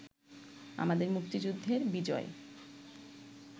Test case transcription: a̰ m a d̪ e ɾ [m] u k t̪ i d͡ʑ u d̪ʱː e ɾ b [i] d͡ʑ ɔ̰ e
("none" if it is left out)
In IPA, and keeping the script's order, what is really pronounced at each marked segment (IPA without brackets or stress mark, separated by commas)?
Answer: m, i